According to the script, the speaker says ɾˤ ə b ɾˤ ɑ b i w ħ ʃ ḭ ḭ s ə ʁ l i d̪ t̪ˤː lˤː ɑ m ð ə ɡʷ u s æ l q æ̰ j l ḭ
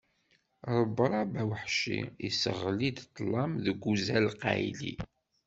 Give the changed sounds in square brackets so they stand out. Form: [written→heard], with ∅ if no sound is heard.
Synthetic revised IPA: ɾˤ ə b ɾˤ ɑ b [i→æ] w ħ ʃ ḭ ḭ s ə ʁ l i d̪ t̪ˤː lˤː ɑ m ð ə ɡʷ u [s→z] æ l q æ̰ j l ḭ

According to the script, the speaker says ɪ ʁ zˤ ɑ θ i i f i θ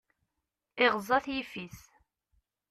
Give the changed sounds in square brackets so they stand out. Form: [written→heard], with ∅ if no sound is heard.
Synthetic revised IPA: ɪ ʁ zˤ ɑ θ [i→j] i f i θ

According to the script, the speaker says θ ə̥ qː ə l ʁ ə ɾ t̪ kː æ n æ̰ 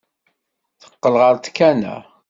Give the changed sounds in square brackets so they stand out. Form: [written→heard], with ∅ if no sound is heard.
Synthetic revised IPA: θ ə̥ qː ə l ʁ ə ɾ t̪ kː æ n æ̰

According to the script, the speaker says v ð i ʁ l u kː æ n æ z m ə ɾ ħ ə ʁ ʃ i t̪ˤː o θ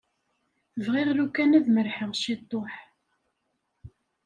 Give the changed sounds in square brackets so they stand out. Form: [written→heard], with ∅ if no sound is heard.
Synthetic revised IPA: v [ð→ʁ] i ʁ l u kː æ n æ [z→ð] m ə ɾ ħ ə ʁ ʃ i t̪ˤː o [θ→ħ]

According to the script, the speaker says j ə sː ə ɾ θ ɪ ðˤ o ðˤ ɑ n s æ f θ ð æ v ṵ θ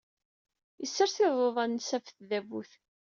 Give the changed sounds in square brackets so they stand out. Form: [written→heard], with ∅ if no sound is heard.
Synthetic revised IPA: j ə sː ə ɾ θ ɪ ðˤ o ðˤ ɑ n s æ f θ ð æ v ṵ θ

